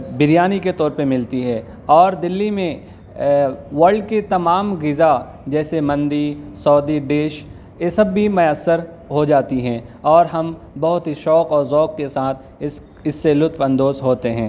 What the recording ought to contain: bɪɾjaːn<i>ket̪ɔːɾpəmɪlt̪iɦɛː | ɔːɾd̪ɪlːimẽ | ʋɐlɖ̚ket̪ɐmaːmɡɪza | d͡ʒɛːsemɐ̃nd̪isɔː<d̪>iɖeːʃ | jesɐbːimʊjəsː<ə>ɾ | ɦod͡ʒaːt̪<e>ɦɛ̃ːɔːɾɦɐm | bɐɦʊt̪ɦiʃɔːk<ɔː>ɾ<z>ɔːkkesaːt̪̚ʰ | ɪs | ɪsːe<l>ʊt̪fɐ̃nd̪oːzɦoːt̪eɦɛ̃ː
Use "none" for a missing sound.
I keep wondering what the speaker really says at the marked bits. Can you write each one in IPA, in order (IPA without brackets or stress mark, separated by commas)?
i, d̪, ə, i, ɔː, z, l